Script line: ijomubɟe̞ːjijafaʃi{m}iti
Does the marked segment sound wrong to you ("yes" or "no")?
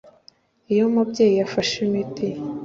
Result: no